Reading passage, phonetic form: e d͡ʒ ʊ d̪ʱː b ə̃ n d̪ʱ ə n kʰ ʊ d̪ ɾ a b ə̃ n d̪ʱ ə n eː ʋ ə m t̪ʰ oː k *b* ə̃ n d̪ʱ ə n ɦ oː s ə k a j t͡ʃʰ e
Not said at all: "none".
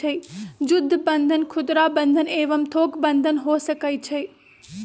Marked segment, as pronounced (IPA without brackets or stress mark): b